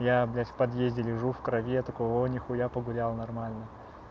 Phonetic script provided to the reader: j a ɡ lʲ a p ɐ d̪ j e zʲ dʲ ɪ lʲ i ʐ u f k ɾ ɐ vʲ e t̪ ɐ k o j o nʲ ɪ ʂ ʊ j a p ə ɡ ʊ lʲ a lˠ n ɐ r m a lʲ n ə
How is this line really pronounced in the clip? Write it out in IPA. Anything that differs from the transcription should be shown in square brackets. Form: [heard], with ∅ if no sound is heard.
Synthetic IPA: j a [b] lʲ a p ɐ d̪ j e zʲ dʲ ɪ lʲ [ɪ] ʐ u f k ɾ ɐ vʲ e t̪ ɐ k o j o nʲ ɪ [x] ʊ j a p ə ɡ ʊ lʲ a lˠ n ɐ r m a lʲ n ə

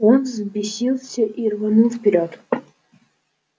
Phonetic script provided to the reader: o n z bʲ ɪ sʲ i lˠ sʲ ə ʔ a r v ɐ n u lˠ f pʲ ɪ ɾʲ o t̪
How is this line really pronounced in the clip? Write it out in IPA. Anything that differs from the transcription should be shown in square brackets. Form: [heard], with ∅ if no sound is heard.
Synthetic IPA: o n z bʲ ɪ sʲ i lˠ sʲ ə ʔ [i] r v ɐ n u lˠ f pʲ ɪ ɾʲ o t̪

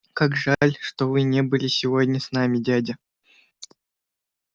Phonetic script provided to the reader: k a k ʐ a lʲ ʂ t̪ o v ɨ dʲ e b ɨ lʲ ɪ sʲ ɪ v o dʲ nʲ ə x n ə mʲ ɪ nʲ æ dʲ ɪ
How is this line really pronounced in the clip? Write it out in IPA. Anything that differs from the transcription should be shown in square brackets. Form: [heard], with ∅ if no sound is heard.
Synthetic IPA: k a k ʐ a lʲ ʂ t̪ o v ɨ [nʲ] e b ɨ lʲ ɪ sʲ ɪ v o dʲ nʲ ə [s] n [a] mʲ ɪ [dʲ] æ dʲ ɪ

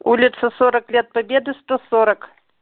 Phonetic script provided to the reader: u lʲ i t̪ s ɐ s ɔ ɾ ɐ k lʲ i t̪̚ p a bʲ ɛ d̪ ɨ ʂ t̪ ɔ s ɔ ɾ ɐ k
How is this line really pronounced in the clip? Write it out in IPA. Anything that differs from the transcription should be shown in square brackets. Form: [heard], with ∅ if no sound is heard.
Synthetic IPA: u lʲ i t̪ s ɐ s ɔ ɾ ɐ k lʲ [ɛ] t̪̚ p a bʲ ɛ d̪ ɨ [s] t̪ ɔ s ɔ ɾ ɐ k

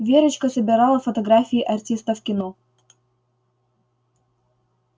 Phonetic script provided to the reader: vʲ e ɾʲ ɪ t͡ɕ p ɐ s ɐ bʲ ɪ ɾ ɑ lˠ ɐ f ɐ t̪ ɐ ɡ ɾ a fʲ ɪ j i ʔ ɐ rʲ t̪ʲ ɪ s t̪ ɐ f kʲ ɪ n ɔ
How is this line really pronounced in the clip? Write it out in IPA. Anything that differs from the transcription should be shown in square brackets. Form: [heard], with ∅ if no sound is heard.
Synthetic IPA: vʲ e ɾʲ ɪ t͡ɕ [k] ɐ s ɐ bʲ ɪ ɾ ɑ lˠ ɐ f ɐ t̪ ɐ ɡ ɾ a fʲ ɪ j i ʔ ɐ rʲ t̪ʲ [i] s t̪ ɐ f kʲ ɪ n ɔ

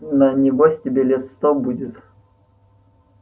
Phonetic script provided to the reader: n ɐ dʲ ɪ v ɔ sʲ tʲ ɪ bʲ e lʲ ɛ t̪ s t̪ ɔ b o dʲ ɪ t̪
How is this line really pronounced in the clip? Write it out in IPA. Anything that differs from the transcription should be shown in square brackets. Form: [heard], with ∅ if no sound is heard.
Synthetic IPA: n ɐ [nʲ] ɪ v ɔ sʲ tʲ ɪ bʲ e lʲ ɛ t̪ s t̪ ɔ b [u] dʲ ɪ t̪

